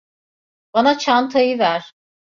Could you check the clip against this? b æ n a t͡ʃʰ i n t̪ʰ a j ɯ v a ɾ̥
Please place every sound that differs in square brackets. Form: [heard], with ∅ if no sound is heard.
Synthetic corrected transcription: b [a] n a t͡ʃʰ [a] n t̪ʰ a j ɯ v [æ] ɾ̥

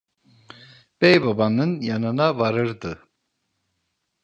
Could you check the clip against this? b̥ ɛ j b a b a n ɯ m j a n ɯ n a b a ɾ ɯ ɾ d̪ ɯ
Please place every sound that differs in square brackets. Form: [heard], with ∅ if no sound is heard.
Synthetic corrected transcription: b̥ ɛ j b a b a n ɯ [n] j a n ɯ n a [v] a ɾ ɯ ɾ d̪ ɯ

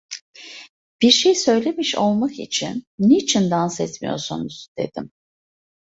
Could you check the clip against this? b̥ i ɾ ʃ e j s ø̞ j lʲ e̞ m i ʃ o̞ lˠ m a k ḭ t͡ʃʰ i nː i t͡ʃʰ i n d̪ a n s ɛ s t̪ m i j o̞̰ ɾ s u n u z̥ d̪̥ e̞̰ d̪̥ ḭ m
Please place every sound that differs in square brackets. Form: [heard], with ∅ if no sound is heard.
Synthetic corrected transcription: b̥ i ɾ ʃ e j s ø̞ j lʲ e̞ m i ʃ o̞ lˠ m a k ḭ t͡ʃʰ i nː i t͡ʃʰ i n d̪ a n s ɛ [∅] t̪ m i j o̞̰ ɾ s u n u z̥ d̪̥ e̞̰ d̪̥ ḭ m

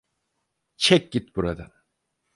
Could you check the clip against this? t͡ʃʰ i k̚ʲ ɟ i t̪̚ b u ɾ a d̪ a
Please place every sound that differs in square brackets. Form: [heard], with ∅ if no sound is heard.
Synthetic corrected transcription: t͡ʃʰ [ɛ] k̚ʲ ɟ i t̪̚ b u ɾ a d̪ a

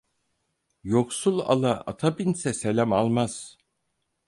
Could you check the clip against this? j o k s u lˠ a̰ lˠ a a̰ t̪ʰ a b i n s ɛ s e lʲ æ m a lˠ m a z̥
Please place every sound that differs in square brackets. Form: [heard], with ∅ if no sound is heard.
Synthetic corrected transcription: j o k s u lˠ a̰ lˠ a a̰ t̪ʰ a b i n s ɛ s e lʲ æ m a lˠ m a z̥

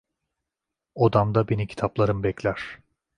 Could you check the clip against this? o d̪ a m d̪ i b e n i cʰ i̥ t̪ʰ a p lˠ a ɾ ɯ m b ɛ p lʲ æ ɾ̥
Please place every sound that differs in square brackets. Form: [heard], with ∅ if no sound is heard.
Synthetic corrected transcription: o d̪ a m d̪ [a] b e n i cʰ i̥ t̪ʰ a p lˠ a ɾ ɯ m b ɛ [c] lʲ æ ɾ̥

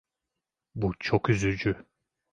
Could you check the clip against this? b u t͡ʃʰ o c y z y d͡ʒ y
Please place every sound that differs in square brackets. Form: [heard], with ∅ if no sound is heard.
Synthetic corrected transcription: b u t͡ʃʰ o [k] y z y d͡ʒ y

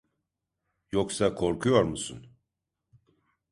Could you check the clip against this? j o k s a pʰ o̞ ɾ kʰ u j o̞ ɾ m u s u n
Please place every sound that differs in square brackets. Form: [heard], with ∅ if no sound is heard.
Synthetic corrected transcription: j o k s a [kʰ] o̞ ɾ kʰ u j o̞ ɾ m u s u n

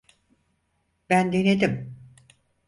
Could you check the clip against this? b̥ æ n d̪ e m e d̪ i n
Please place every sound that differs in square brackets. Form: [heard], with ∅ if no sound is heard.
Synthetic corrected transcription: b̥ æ n d̪ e [n] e d̪ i [m]

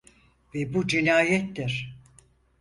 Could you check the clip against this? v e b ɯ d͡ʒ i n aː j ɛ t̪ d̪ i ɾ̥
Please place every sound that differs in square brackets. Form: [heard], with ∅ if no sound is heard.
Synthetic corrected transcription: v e b [u] d͡ʒ i n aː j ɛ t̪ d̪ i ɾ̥

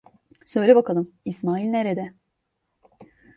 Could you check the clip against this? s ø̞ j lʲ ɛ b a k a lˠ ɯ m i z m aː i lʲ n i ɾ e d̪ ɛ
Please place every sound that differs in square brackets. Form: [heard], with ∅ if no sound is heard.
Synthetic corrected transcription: s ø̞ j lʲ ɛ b a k a lˠ ɯ m i [s] m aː i lʲ n [e] ɾ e d̪ ɛ

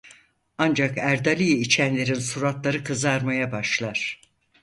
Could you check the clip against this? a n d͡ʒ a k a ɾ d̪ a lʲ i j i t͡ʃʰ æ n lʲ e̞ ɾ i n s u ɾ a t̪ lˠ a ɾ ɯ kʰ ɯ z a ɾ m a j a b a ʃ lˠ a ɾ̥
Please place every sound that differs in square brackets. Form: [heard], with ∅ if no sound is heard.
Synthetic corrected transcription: a n d͡ʒ a k [æ] ɾ d̪ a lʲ i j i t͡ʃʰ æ n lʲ e̞ ɾ i n s u ɾ a t̪ lˠ a ɾ ɯ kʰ ɯ z a ɾ m a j a b a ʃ lˠ a ɾ̥

